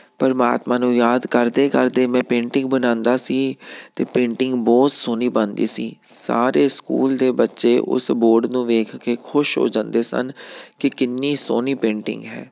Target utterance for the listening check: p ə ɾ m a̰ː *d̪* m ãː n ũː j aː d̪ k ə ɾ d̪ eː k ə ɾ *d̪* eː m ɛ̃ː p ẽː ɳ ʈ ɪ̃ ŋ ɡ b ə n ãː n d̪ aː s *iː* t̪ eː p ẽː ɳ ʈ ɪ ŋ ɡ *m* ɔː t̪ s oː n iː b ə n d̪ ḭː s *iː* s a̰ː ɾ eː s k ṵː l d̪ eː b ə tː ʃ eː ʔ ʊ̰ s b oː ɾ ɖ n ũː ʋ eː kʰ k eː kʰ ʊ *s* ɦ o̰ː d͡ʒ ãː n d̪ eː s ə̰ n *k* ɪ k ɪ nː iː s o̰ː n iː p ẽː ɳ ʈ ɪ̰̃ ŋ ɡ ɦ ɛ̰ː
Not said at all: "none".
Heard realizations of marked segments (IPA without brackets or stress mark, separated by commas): t̪, d̪, iː, b, iː, ʃ, k